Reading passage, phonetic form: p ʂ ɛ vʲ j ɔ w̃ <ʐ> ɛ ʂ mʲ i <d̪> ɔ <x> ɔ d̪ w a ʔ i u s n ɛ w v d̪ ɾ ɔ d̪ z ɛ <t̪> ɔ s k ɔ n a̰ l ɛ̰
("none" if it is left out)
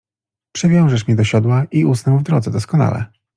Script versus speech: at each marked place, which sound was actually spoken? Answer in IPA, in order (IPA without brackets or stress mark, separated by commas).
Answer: ʐ, d̪, ɕ, d̪